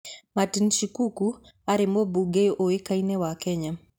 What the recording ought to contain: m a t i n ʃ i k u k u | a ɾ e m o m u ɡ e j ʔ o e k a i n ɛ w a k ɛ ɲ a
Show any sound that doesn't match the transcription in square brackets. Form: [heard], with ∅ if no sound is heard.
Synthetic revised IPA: m a t i n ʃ i k u k u | a ɾ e m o [b] u ɡ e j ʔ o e k a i n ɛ w a k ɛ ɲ a